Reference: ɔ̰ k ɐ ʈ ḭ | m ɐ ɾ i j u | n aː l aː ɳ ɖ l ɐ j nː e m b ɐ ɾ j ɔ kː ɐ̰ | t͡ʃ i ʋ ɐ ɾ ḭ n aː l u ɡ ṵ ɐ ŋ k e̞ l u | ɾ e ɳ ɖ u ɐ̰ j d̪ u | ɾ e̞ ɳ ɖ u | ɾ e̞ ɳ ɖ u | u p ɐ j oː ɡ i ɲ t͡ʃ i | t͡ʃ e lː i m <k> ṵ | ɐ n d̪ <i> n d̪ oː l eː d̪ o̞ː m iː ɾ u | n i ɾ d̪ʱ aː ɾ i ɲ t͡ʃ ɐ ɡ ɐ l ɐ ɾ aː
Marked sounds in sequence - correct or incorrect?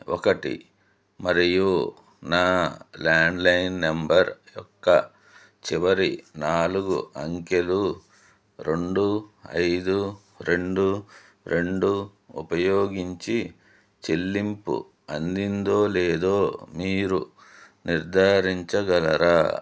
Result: incorrect: p, correct

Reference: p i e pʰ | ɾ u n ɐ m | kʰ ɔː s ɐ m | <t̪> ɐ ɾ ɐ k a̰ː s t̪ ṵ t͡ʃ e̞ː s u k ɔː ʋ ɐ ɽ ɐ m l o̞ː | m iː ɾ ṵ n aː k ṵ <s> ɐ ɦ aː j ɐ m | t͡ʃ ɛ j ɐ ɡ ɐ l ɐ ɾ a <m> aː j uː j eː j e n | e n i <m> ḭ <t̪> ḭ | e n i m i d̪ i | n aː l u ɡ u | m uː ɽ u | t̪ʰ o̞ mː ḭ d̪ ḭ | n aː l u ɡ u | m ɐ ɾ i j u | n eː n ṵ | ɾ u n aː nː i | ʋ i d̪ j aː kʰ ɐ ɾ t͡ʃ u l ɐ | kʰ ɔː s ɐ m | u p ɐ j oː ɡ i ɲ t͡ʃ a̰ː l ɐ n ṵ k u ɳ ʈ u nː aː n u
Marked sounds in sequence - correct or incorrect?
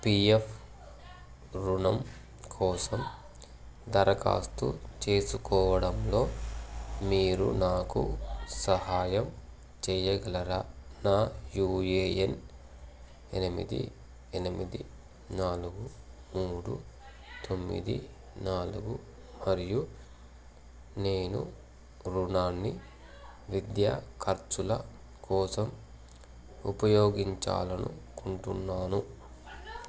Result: incorrect: d̪, correct, incorrect: n, correct, incorrect: d̪

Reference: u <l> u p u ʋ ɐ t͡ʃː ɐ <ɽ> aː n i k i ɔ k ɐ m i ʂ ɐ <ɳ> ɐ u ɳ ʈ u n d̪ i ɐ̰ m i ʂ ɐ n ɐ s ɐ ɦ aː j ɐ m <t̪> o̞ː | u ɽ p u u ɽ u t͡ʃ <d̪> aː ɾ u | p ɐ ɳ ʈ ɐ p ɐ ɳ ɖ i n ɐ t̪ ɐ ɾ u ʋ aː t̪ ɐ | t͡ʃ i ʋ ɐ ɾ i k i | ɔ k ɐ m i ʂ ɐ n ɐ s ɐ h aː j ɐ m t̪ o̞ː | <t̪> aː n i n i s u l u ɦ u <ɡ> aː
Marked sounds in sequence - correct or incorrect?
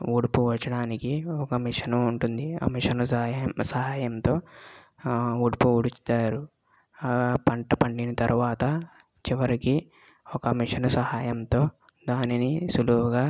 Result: incorrect: ɽ, correct, incorrect: n, correct, incorrect: t̪, incorrect: d̪, correct

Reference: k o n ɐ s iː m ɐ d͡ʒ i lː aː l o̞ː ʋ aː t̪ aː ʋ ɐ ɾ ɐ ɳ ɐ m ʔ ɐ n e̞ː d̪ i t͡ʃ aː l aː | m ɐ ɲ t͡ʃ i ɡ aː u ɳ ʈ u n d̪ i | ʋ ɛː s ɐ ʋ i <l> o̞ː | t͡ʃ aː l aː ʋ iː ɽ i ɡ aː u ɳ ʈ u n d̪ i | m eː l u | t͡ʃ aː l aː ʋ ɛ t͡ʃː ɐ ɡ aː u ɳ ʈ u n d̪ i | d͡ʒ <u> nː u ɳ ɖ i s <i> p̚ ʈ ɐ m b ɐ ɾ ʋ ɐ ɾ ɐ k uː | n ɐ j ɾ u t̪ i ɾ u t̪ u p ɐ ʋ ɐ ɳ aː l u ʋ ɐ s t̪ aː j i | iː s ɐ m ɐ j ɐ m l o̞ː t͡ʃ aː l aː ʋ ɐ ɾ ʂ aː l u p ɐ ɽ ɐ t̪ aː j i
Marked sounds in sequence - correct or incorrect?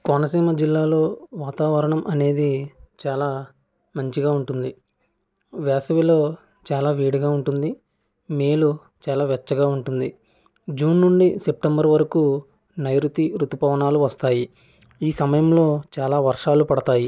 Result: correct, incorrect: uː, incorrect: e

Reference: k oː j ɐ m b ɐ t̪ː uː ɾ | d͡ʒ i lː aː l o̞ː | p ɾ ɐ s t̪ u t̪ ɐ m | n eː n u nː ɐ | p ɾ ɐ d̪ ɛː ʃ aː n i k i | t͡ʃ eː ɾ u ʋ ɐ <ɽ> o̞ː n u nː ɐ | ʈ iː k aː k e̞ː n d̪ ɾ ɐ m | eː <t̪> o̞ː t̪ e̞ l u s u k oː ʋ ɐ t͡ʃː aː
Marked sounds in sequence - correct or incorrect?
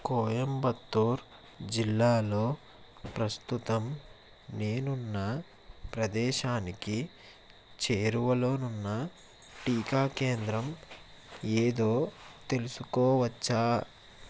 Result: incorrect: l, incorrect: d̪

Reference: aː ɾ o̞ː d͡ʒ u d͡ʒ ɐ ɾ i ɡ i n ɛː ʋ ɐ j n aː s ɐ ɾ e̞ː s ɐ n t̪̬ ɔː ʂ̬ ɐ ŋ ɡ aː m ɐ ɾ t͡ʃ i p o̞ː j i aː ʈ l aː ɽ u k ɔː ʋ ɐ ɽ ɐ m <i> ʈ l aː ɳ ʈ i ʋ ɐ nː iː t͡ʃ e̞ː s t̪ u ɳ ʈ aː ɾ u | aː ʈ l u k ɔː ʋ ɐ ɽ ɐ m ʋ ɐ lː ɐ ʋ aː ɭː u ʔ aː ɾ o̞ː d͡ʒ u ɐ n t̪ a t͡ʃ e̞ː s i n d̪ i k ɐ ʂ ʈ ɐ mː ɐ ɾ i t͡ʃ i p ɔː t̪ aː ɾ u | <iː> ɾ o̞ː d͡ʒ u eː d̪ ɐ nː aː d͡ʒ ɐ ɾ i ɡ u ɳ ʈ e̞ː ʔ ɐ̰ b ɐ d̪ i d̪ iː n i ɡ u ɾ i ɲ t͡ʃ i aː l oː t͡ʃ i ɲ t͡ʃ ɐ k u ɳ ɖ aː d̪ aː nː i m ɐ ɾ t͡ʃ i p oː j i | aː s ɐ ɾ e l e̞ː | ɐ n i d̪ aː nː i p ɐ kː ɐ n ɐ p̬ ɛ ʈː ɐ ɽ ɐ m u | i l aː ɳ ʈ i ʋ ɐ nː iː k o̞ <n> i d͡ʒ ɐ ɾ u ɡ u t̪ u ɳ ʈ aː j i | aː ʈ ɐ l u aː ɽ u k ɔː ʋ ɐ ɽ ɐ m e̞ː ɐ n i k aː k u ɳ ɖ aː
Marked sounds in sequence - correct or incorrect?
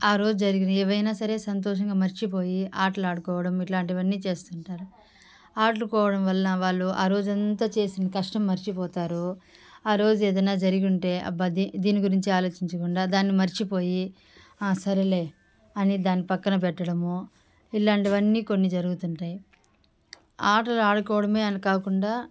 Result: correct, incorrect: aː, incorrect: nː

